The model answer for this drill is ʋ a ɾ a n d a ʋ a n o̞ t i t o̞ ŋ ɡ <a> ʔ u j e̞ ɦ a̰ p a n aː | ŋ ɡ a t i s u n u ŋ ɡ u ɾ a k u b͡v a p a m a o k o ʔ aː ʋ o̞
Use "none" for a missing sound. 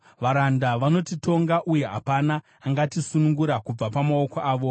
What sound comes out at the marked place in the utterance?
a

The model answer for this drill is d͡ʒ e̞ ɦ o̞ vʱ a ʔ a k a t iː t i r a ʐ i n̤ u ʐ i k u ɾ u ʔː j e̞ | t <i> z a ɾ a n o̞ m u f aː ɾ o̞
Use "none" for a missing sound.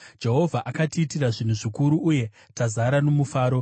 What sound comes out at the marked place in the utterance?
a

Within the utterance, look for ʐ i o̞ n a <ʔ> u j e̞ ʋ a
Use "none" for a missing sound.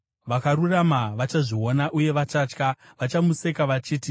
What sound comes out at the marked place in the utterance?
ʔ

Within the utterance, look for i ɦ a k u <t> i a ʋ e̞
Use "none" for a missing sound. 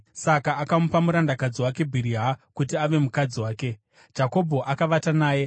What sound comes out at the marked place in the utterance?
t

